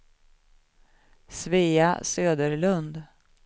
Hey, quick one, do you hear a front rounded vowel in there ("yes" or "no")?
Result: yes